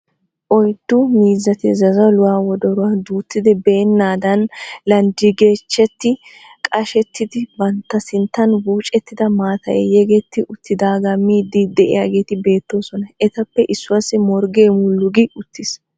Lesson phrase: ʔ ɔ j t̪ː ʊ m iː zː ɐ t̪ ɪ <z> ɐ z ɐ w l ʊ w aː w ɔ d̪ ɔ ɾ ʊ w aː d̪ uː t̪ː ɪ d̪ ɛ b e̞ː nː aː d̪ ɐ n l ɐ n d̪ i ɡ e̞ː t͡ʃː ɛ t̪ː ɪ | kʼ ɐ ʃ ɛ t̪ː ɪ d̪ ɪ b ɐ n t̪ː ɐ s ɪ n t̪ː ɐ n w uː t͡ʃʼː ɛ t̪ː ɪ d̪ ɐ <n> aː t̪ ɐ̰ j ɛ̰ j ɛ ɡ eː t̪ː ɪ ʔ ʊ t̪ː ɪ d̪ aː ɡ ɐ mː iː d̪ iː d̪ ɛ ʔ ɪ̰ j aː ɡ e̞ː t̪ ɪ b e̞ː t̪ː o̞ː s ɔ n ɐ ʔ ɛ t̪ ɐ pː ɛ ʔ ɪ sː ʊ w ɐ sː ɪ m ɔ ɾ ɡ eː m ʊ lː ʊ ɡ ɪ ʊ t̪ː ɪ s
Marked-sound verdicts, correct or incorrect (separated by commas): correct, incorrect